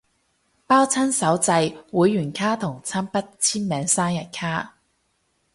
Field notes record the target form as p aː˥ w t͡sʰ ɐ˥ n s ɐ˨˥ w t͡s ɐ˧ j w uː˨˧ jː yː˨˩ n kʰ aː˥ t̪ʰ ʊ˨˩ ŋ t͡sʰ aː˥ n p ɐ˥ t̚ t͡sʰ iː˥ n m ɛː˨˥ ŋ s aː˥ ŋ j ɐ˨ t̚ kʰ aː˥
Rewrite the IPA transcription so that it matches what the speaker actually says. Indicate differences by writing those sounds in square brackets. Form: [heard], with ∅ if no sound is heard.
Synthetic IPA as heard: p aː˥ w t͡sʰ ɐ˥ n s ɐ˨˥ w t͡s ɐ˧ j w uː˨˧ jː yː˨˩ n kʰ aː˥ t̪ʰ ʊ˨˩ ŋ t͡sʰ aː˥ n p ɐ˥ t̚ t͡sʰ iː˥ n m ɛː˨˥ ŋ s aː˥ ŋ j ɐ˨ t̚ kʰ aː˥

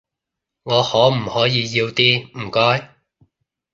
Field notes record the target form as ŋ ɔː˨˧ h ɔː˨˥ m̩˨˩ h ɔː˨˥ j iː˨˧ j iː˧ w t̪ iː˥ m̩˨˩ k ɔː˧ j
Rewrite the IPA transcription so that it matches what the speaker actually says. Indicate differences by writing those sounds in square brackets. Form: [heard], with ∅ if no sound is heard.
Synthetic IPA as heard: ŋ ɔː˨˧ h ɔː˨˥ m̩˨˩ h ɔː˨˥ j iː˨˧ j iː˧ w t̪ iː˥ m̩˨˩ k [ɔː˥] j

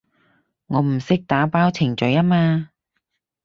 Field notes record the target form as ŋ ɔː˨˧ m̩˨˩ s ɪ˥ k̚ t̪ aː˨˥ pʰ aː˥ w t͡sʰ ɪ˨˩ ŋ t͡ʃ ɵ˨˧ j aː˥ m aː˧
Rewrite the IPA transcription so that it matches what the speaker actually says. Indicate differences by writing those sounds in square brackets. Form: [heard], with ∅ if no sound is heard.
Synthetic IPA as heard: ŋ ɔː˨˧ m̩˨˩ s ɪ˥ k̚ t̪ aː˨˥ [p] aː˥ w t͡sʰ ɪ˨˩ ŋ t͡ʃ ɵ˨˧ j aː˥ m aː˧

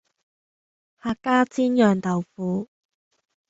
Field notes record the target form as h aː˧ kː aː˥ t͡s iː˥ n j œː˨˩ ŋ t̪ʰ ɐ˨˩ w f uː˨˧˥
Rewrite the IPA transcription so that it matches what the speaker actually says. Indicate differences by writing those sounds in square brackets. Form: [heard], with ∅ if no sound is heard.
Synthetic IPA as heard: h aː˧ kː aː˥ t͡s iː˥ n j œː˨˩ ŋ [t̪] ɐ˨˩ w f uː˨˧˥

